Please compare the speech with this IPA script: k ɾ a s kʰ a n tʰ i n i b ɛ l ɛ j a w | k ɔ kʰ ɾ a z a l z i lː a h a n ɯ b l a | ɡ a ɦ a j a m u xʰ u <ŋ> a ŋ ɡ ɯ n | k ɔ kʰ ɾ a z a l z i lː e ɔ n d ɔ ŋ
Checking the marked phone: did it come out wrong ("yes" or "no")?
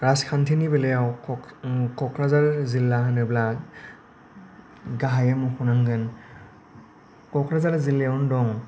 yes